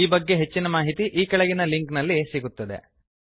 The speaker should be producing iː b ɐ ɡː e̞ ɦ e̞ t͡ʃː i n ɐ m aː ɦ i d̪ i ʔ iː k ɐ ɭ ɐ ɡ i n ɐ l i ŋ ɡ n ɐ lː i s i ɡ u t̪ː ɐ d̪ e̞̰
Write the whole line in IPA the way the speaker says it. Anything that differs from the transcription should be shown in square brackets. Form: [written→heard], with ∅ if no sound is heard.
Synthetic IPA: iː b ɐ ɡː e̞ ɦ e̞ t͡ʃː i n ɐ m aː ɦ i [d̪→t̪] i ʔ iː k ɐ ɭ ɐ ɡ i n ɐ l i ŋ [ɡ→k] n ɐ lː i s i ɡ u t̪ː ɐ d̪ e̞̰